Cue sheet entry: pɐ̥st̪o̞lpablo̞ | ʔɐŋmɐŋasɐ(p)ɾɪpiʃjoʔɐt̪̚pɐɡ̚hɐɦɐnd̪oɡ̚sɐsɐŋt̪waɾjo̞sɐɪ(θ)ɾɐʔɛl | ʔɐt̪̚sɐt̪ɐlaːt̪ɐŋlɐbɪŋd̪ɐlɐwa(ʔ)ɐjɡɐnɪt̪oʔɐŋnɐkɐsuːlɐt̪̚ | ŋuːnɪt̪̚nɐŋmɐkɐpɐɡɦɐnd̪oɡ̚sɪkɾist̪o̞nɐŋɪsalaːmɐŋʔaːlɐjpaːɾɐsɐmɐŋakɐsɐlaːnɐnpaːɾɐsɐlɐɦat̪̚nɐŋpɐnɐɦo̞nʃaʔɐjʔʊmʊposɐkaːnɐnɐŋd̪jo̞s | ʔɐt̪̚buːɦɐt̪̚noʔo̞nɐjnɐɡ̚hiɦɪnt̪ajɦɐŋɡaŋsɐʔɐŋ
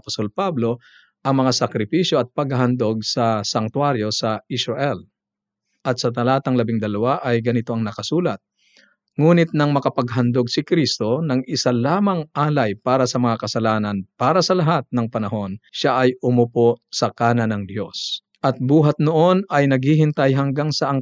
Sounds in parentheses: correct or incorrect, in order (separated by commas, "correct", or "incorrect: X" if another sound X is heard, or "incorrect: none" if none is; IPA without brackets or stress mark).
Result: incorrect: k, incorrect: s, correct